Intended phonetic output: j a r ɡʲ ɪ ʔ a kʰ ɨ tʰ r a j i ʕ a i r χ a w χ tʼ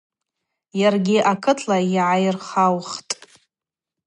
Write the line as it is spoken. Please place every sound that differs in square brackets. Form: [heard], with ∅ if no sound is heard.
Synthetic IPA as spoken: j a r ɡʲ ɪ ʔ a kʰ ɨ tʰ [l] a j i ʕ a [j] r χ a w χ tʼ